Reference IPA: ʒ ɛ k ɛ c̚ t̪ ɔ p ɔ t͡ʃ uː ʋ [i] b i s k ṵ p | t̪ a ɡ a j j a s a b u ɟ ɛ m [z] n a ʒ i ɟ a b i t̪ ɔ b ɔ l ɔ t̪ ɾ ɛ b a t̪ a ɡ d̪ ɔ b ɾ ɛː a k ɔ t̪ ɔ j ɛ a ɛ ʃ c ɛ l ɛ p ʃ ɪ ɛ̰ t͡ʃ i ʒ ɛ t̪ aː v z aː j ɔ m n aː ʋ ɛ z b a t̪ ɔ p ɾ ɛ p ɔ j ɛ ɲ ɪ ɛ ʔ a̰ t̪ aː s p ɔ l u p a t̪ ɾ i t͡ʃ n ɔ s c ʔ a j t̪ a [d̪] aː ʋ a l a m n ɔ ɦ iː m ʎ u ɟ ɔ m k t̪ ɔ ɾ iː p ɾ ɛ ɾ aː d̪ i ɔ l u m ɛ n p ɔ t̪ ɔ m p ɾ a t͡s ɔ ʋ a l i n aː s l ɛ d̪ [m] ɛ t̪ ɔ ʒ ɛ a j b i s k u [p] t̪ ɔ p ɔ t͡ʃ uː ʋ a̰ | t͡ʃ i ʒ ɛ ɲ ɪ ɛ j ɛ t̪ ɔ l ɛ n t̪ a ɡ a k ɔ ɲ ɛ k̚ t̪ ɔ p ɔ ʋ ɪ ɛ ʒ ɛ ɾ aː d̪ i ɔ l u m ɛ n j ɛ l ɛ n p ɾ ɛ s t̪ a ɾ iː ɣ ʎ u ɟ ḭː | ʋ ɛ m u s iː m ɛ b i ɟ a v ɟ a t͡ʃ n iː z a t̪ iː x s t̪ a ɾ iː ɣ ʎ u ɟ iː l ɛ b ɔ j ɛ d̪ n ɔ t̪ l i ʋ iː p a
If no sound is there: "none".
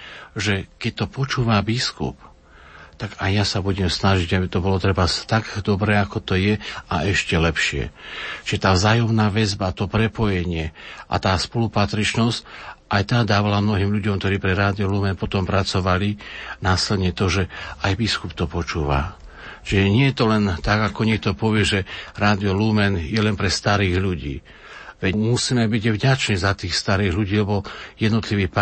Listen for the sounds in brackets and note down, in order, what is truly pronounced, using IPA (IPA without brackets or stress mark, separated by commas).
a, s, d̪, ɲ, p